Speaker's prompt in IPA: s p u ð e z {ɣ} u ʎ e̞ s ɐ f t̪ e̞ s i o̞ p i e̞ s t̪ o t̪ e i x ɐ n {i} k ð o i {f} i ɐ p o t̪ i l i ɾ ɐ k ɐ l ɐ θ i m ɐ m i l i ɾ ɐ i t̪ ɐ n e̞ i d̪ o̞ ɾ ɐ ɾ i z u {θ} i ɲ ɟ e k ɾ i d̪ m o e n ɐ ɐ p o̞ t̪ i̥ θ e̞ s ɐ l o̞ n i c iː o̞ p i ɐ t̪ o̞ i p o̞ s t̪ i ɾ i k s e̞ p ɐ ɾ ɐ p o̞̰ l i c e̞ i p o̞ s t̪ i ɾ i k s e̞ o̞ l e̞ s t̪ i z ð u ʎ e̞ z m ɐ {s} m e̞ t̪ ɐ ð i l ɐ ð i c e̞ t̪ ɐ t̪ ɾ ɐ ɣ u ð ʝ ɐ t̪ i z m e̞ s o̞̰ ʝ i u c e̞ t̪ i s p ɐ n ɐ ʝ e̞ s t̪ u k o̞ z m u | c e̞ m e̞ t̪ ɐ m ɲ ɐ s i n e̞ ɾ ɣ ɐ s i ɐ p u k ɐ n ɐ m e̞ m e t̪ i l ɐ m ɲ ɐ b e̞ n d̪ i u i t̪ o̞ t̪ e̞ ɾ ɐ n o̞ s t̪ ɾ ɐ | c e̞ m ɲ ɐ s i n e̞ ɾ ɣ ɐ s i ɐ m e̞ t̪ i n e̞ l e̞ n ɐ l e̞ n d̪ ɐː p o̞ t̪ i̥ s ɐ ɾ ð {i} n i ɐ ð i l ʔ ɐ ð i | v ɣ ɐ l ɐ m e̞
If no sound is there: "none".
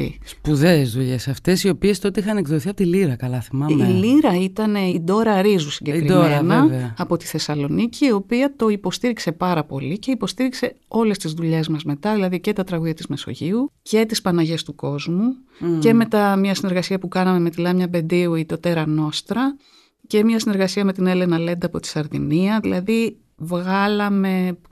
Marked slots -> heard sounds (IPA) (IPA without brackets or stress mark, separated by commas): ð, e, θ, s, z, i